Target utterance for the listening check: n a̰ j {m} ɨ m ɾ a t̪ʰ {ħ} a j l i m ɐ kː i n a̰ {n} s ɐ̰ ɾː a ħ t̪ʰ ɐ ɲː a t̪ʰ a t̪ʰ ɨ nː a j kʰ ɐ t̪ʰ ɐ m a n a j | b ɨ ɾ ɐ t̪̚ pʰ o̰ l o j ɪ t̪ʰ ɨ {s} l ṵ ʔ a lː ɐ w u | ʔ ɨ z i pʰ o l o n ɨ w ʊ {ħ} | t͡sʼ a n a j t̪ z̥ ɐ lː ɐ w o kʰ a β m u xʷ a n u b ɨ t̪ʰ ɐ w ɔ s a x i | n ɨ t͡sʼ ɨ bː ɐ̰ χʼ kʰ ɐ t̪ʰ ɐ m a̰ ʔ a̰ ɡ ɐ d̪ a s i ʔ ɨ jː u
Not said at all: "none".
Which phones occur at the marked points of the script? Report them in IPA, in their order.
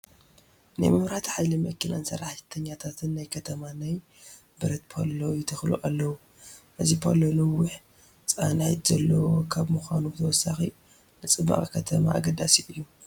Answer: m, ħ, n, x, ħ

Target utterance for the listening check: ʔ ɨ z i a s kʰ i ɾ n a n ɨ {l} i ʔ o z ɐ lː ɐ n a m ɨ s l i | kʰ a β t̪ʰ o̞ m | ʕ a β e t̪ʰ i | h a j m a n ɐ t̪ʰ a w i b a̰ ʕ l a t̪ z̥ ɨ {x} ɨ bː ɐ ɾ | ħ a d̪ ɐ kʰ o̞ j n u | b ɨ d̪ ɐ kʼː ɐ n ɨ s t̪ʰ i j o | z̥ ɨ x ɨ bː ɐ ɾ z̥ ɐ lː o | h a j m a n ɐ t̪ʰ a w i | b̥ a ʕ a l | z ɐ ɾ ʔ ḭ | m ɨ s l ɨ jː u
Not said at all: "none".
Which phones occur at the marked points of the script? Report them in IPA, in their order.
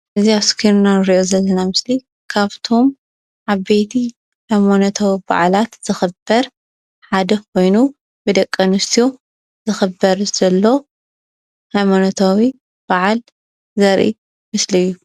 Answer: ɾ, x

